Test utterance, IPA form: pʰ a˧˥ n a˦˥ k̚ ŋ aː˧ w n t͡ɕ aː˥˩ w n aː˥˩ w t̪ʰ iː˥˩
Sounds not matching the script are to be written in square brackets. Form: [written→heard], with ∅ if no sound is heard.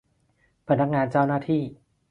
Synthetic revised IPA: pʰ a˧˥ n a˦˥ k̚ ŋ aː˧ [w→∅] n t͡ɕ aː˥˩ w n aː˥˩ [w→∅] t̪ʰ iː˥˩